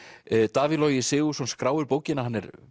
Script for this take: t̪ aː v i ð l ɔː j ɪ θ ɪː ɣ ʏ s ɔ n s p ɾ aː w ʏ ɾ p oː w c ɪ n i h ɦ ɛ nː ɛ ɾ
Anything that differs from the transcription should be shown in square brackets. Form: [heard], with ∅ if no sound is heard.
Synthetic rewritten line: t̪ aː v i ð l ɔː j ɪ [s] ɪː ɣ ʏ s ɔ n s [k] ɾ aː w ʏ ɾ p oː w c ɪ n [a] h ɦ [a] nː ɛ ɾ